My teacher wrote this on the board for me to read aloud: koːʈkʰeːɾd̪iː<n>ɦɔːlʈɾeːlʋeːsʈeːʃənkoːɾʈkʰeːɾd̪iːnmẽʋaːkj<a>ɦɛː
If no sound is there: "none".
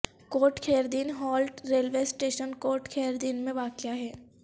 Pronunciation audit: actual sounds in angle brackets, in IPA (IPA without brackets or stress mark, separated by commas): n, a